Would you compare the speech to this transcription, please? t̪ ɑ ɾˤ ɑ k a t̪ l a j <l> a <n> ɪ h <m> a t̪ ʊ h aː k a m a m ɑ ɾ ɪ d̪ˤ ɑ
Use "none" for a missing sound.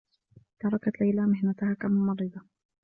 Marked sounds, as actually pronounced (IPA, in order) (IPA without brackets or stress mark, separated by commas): l, m, n